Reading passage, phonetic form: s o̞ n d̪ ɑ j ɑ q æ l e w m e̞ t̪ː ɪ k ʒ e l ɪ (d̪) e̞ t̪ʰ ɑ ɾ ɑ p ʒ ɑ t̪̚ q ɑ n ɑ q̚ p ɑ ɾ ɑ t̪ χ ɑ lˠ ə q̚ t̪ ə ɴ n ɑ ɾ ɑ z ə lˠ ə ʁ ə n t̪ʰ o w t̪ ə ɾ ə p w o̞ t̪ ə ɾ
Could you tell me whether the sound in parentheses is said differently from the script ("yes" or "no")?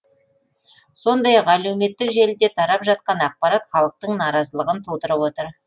no